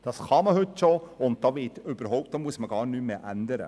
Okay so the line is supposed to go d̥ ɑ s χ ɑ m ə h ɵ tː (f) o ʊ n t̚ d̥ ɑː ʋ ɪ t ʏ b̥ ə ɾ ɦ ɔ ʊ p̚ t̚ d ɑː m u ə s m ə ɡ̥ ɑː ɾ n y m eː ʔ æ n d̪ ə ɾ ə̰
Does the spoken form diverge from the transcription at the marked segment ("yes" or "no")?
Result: yes